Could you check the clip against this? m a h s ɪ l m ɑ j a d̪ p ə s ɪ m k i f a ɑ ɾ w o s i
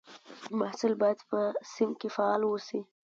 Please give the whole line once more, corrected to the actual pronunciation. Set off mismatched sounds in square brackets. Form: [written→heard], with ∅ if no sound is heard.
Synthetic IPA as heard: m a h s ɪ l [m→b] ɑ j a d̪ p ə s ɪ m k [i→e] f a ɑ [ɾ→l] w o s i